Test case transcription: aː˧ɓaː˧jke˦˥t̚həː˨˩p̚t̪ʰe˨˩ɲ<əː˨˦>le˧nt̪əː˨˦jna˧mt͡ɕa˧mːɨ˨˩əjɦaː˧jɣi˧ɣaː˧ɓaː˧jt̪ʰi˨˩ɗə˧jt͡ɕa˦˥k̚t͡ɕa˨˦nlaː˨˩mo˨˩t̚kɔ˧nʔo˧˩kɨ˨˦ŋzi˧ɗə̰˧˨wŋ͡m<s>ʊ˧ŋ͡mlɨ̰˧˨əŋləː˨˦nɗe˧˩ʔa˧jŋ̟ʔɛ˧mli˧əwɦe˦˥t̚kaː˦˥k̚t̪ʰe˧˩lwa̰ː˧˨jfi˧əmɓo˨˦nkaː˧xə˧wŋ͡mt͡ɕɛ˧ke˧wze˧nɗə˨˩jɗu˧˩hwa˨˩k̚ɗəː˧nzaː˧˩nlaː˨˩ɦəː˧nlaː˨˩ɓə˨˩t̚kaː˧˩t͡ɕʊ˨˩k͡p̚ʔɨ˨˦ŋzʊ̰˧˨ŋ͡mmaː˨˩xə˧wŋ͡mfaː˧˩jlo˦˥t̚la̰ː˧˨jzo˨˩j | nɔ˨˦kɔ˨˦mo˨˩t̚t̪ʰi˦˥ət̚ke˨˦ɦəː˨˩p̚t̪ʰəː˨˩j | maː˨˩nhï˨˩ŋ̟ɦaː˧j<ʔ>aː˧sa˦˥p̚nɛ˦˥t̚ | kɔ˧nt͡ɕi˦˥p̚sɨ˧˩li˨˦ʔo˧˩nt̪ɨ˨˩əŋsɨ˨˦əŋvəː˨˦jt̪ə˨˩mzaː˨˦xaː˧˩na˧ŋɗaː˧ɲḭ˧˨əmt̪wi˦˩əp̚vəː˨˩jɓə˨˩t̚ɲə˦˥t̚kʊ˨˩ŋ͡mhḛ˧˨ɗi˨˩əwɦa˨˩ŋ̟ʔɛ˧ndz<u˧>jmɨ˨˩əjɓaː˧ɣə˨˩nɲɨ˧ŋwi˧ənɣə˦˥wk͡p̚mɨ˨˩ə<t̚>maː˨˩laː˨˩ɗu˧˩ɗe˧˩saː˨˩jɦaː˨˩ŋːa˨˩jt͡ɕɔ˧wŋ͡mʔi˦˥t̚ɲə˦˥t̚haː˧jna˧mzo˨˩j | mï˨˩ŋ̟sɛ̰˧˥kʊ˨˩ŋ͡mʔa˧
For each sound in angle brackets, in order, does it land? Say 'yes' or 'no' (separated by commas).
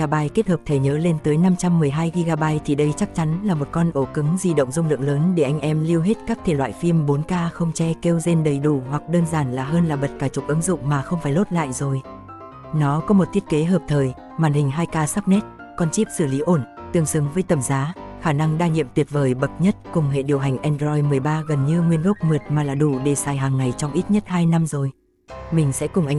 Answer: yes, no, no, no, yes